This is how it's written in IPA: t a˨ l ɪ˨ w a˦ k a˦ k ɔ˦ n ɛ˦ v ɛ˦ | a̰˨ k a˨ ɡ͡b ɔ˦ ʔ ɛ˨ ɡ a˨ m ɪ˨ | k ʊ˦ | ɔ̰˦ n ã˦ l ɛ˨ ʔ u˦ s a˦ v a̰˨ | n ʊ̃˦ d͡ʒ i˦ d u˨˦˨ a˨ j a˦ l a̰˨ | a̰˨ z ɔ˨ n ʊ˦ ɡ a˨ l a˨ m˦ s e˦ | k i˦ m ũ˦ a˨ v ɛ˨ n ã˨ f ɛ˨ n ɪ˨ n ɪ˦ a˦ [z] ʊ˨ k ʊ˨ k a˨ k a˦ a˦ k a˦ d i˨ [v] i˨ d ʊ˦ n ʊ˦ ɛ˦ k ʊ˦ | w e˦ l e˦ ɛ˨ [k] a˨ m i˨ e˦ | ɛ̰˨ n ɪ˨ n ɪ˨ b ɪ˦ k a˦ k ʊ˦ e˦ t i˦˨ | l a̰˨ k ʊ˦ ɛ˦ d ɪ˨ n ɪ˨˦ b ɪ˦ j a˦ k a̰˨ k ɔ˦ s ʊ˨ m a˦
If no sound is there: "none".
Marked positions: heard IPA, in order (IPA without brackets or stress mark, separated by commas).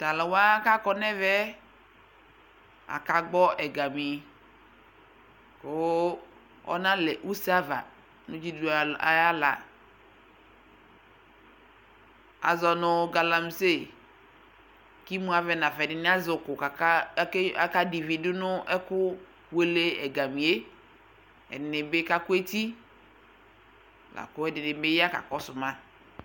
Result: z, v, ɡ